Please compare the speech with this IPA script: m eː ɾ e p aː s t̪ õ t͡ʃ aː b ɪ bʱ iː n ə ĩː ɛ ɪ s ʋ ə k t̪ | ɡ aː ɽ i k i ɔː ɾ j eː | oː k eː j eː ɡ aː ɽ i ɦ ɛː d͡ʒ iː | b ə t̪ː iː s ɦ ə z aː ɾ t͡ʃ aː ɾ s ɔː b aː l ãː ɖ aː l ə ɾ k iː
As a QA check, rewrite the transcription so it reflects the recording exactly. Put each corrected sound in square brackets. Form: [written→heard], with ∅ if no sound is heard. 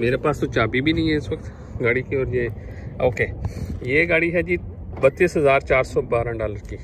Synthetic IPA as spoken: m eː ɾ e p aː s t̪ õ t͡ʃ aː b [ɪ→i] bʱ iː n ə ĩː ɛ ɪ s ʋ ə k t̪ | ɡ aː ɽ i k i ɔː ɾ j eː | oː k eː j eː ɡ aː ɽ i ɦ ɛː d͡ʒ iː | b ə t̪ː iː s ɦ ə z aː ɾ t͡ʃ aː ɾ s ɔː b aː [l→ɾ] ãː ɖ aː l ə ɾ k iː

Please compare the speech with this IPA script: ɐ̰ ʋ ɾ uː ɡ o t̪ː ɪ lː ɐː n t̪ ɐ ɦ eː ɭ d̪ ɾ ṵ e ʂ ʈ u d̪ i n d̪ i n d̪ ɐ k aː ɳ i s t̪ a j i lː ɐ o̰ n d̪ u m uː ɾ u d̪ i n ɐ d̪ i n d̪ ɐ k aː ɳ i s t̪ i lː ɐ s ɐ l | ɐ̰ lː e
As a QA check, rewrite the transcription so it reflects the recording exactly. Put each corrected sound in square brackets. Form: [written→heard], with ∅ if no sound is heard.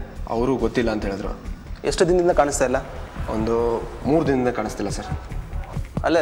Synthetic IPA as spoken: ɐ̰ ʋ ɾ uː ɡ o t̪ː [ɪ→i] lː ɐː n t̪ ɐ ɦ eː ɭ d̪ ɾ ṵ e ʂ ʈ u d̪ i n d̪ i n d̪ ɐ k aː ɳ i s t̪ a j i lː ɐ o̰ n d̪ u m uː ɾ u d̪ i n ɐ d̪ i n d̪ ɐ k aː ɳ i s t̪ i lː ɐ s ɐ [l→ɾ] | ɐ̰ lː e

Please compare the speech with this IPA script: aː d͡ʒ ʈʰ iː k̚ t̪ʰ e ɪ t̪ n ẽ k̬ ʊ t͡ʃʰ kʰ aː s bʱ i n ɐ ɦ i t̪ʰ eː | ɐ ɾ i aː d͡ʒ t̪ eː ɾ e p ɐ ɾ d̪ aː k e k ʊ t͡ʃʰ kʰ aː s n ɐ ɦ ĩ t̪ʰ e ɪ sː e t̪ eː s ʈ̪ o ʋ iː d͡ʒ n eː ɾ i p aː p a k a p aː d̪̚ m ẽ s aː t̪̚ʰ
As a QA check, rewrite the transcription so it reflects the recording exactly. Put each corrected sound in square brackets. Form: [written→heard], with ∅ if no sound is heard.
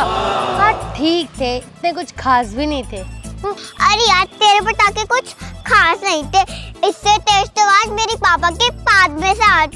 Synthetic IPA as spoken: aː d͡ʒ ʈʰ iː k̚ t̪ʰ e ɪ t̪ n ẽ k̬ ʊ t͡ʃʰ kʰ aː s bʱ i n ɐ ɦ [i→ĩ] t̪ʰ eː | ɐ ɾ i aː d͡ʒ t̪ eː ɾ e p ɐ ɾ [d̪→t̪] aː k e k ʊ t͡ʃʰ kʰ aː s n ɐ ɦ ĩ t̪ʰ e ɪ sː e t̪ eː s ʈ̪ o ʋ [iː→aː] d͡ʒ [n→m] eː ɾ i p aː p a k [a→e] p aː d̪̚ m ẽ s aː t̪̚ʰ

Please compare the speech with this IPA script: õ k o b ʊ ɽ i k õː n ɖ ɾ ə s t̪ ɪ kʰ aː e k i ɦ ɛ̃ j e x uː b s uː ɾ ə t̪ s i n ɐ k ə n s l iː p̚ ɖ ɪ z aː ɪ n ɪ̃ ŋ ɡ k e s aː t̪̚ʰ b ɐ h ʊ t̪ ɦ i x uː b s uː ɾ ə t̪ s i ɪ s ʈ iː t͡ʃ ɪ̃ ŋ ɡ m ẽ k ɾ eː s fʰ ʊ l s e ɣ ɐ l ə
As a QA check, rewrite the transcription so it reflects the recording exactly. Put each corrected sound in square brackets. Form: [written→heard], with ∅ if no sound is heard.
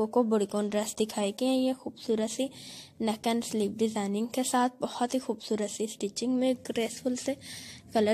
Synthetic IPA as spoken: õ k o b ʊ ɽ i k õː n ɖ ɾ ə s [t̪→d̪] ɪ kʰ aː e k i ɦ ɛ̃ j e x uː b s uː ɾ ə t̪ s i n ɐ k ə n s l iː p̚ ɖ ɪ z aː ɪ n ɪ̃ ŋ ɡ k e s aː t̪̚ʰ b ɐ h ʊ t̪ ɦ i x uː b s uː ɾ ə t̪ s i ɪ s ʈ iː t͡ʃ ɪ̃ ŋ ɡ m ẽ [k→ɡ] ɾ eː s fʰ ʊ l s e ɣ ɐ l ə

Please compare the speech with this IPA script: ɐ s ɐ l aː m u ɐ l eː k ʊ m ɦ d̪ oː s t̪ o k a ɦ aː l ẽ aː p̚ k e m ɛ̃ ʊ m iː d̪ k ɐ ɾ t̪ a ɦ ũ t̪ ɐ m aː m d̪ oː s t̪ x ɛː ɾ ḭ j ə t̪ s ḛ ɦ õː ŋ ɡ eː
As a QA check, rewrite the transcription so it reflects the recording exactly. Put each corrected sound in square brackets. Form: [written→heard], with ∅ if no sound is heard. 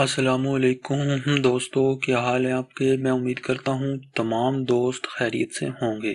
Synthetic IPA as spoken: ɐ s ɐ l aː m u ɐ l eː k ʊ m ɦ d̪ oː s t̪ o k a ɦ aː l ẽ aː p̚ k e m ɛ̃ ʊ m iː d̪ k ɐ ɾ t̪ a ɦ ũ t̪ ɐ m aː m d̪ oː s t̪ x ɛː ɾ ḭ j ə t̪ s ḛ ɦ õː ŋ ɡ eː

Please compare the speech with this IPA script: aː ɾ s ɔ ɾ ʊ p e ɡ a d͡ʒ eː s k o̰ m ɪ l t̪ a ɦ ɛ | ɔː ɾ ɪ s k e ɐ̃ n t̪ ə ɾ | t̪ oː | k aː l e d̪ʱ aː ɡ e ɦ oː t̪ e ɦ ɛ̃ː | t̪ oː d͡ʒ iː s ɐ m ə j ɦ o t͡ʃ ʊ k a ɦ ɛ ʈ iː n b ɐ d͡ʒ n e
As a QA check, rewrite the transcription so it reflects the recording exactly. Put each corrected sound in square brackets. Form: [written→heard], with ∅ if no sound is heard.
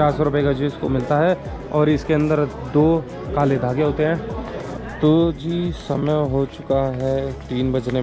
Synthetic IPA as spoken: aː ɾ s ɔ ɾ ʊ p e [ɡ→k] a d͡ʒ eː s k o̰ m ɪ l t̪ a ɦ ɛ | ɔː ɾ ɪ s k e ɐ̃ n [t̪→d̪] ə ɾ | [t̪→d̪] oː | k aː l e d̪ʱ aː ɡ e ɦ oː t̪ e ɦ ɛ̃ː | t̪ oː d͡ʒ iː s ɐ m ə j ɦ o t͡ʃ ʊ k a ɦ ɛ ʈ iː n b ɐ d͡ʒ n e

